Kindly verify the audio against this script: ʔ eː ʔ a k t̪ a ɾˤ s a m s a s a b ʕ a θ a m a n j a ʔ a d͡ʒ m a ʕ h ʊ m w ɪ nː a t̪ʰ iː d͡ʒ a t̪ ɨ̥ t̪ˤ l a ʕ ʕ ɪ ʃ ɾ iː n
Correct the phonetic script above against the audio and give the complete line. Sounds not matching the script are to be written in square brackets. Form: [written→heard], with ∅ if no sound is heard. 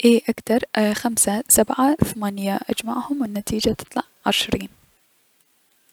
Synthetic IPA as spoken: ʔ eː ʔ a k t̪ [a→ɑ] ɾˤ [s→x] a m s a s a b ʕ a θ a m a n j a ʔ a d͡ʒ m a ʕ h ʊ m w ɪ nː a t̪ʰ iː d͡ʒ a t̪ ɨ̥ t̪ˤ l [a→ɑ] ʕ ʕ ɪ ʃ ɾ iː n